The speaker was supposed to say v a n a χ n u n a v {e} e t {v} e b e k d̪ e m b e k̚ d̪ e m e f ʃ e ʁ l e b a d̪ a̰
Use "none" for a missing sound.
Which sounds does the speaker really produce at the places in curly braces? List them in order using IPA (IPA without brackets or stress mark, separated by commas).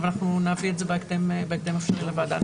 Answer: i, z